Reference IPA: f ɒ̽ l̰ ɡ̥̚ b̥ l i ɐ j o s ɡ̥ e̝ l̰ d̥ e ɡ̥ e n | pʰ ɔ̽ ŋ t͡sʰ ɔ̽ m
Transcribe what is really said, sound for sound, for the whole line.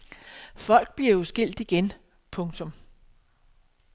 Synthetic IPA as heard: f ɒ̽ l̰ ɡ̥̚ b̥ l i ɐ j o s ɡ̥ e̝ l̰ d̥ i ɡ̥ e n | pʰ ɔ̽ ŋ t͡sʰ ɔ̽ m